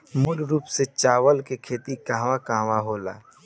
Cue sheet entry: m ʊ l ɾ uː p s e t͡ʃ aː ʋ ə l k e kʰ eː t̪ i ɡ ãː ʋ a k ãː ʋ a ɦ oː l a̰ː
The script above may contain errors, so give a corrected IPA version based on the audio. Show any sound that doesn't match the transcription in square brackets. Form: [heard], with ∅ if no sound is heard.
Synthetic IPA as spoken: m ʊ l ɾ uː p s e t͡ʃ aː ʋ ə l k e kʰ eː t̪ i [k] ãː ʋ a k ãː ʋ a ɦ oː l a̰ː